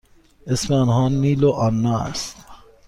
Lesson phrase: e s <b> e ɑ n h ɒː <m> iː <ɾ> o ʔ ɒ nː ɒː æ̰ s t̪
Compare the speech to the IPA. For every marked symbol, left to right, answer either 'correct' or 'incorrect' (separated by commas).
incorrect, incorrect, incorrect